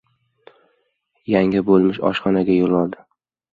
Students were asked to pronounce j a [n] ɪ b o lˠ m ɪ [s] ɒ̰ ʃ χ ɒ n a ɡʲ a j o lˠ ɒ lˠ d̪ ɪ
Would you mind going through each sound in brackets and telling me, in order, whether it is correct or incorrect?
incorrect, incorrect

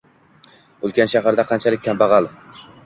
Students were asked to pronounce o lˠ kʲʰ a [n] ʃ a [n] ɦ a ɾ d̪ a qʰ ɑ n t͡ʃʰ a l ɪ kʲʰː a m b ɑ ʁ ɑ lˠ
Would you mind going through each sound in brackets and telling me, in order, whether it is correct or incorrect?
correct, incorrect

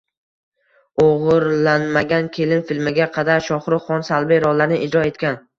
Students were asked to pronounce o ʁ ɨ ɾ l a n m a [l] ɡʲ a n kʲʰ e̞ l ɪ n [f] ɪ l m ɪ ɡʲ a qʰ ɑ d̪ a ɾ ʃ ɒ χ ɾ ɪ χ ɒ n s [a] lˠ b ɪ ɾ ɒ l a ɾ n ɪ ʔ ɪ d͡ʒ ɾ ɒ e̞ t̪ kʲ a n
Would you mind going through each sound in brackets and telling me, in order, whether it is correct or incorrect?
incorrect, correct, correct

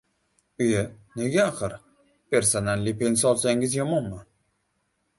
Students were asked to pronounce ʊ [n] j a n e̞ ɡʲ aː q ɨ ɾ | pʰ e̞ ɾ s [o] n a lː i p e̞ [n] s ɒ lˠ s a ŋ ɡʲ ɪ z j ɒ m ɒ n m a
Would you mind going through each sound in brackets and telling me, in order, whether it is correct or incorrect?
incorrect, correct, correct

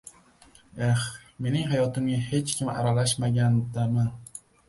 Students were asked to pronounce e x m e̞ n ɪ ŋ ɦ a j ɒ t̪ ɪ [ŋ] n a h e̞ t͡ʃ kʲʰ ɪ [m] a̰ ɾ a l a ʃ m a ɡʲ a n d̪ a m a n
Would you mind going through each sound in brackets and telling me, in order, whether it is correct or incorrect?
incorrect, correct

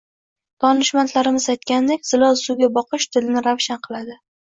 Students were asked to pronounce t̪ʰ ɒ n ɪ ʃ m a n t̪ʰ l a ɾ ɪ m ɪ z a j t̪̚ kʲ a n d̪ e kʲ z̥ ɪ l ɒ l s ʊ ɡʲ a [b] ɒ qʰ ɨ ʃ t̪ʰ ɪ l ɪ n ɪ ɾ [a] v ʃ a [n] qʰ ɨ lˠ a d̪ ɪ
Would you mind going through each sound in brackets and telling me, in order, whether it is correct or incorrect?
correct, correct, correct

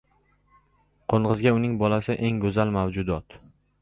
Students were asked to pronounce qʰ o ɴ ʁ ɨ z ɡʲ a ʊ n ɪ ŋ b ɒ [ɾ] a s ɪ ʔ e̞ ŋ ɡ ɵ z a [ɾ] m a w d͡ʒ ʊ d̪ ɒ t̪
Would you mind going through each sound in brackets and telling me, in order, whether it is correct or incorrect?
incorrect, incorrect

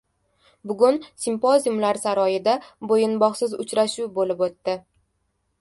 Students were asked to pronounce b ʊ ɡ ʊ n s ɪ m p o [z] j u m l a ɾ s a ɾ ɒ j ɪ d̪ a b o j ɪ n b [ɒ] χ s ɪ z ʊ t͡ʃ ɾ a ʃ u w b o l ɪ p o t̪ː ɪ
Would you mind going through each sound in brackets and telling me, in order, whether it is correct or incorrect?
correct, correct

